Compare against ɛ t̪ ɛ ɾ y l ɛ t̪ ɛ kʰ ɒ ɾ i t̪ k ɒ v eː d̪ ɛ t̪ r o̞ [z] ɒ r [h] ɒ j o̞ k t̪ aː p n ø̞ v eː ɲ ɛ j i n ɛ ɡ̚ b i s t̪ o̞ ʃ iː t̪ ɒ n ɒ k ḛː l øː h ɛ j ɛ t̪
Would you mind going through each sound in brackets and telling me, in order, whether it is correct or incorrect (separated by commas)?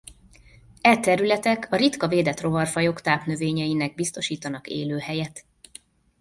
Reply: incorrect, incorrect